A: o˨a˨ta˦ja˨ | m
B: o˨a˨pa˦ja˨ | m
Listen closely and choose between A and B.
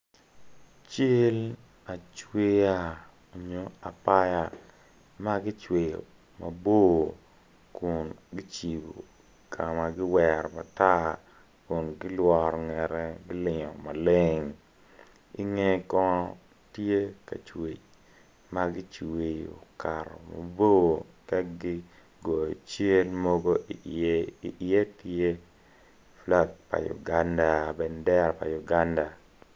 B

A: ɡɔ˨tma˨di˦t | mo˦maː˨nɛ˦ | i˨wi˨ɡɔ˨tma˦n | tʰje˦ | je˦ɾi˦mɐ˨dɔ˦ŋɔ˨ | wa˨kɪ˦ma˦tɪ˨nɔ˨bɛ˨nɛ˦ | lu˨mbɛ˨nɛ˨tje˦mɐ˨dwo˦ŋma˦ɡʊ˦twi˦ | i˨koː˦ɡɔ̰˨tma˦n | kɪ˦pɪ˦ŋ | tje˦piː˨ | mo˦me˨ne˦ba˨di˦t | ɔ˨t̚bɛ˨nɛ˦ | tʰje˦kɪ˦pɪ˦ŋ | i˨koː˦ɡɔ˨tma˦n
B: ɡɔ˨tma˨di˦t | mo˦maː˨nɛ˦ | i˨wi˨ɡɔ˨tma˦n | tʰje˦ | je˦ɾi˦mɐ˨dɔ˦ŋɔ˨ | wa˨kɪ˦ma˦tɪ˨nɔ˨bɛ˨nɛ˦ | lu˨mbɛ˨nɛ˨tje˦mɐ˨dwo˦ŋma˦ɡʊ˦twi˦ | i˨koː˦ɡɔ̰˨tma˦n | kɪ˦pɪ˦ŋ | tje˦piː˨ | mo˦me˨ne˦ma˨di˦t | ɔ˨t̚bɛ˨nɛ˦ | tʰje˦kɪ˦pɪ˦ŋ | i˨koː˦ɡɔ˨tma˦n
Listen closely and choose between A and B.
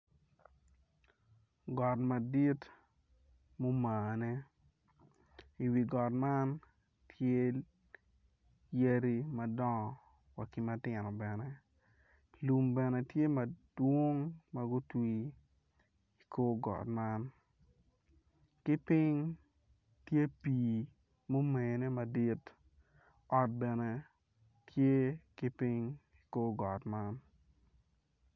B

